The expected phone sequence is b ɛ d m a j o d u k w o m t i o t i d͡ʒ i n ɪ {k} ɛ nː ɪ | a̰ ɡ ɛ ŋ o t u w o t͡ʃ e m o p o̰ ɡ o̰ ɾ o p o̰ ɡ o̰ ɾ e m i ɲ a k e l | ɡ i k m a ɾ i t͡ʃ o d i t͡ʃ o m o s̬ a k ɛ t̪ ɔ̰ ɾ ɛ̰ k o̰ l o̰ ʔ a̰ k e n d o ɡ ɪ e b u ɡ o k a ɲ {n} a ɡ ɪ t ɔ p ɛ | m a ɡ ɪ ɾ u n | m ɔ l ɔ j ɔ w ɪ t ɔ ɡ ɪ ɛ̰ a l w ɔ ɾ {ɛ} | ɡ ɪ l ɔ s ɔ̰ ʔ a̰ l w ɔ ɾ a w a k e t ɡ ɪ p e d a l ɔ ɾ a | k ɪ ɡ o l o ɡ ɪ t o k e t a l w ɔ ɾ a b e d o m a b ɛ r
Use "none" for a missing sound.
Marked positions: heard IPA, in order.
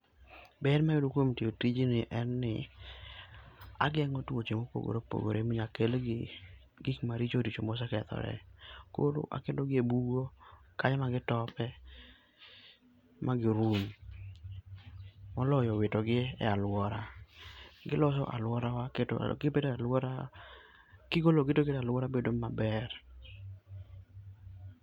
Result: ʔ, m, a

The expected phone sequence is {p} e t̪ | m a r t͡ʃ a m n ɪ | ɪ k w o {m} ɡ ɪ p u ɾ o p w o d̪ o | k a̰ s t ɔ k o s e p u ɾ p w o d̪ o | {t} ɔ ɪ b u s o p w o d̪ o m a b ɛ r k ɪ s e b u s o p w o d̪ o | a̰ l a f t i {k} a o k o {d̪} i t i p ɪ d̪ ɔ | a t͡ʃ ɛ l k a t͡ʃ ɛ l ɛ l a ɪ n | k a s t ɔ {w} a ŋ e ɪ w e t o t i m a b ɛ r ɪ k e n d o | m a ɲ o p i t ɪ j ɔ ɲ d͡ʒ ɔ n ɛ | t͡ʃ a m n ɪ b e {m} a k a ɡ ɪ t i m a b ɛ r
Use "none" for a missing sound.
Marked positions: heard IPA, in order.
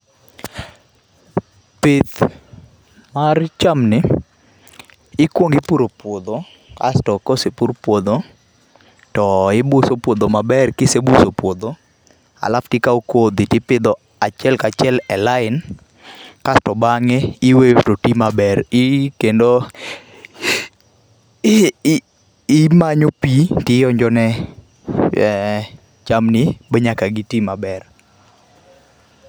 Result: p, ŋ, t, k, d̪, b, ɲ

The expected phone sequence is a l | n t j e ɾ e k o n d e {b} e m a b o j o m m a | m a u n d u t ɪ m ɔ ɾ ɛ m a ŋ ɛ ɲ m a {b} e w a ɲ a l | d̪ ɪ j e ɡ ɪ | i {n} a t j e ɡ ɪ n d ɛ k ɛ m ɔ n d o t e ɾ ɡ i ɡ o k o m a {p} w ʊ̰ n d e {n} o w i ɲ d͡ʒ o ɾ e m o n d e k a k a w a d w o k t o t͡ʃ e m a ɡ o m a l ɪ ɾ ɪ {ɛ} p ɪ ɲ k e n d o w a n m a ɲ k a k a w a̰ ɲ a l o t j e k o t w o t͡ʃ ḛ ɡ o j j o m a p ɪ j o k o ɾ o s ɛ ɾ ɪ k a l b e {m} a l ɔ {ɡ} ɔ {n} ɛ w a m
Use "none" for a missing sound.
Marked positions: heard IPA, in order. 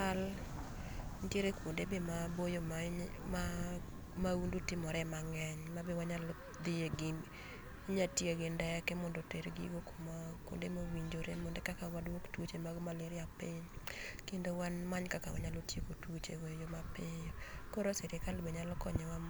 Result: b, b, ɲ, k, m, a, ɲ, k, ɲ

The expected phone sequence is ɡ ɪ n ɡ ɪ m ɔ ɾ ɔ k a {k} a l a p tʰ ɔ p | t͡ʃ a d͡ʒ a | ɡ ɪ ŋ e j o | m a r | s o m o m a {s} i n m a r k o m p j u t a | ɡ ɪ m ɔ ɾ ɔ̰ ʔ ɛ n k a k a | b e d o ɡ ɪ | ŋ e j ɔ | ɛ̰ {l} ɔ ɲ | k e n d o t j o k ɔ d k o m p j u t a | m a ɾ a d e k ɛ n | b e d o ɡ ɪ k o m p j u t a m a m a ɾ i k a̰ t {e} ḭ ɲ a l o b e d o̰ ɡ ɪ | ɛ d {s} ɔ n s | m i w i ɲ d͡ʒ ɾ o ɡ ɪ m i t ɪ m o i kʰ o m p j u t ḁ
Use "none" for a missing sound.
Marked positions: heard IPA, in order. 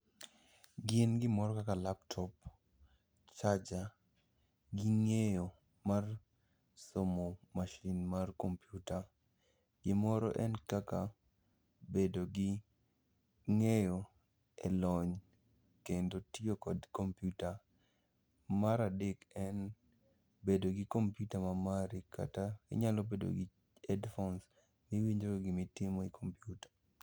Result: k, ʃ, l, a, f

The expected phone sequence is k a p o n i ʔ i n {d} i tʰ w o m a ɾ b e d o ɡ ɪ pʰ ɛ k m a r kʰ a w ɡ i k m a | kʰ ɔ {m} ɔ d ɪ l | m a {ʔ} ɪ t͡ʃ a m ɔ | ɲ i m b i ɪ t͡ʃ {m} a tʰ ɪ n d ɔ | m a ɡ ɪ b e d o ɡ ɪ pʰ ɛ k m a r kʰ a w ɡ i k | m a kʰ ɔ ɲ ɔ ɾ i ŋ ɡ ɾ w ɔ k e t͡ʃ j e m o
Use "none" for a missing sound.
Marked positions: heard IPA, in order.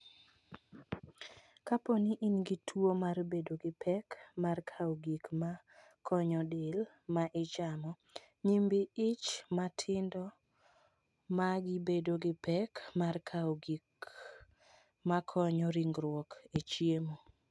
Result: ɡ, ɲ, ʔ, m

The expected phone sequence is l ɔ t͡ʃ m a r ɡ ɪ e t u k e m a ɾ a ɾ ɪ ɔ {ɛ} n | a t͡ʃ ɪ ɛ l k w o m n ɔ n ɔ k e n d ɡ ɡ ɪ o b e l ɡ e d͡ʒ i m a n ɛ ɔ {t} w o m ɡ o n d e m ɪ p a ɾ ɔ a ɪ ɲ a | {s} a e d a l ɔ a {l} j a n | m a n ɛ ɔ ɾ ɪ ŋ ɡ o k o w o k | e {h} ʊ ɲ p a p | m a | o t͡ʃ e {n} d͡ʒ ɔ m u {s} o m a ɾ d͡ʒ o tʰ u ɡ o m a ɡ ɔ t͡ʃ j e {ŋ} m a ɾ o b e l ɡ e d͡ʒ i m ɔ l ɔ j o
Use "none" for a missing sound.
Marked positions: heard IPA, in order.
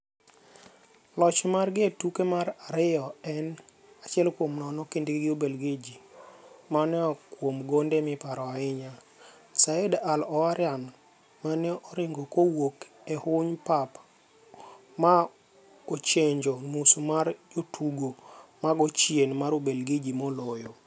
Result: ɛ, k, s, ɾ, h, ɲ, s, n

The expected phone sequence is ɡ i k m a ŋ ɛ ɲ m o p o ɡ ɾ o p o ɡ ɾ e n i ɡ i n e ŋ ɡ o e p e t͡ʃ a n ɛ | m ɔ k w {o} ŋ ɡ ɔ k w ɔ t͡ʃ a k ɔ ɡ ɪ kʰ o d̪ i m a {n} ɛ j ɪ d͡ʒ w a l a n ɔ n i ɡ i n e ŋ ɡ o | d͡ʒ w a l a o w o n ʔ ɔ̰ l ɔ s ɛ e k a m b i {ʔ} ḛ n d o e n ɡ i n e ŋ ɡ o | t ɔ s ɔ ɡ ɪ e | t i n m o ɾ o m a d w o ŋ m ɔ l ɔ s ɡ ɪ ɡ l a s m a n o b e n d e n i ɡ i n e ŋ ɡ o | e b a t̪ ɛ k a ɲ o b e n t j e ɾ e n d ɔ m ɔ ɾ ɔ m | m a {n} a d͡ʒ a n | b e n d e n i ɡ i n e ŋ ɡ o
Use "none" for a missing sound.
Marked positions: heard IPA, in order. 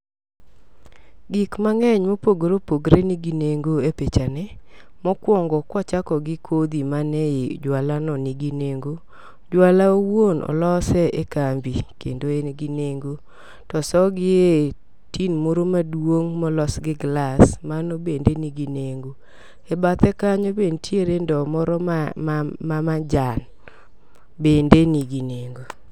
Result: ɔ, n, k, m

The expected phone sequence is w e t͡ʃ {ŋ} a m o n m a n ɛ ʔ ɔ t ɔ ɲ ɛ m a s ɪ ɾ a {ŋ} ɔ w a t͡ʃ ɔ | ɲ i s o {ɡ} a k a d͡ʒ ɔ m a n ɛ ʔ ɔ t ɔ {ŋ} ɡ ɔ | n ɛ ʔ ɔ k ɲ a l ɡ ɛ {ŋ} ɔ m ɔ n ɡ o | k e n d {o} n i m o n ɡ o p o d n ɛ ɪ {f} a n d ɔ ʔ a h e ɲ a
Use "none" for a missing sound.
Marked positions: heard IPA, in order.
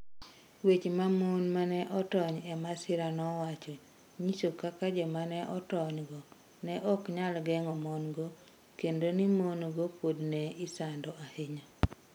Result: m, n, k, ɲ, ŋ, o, s

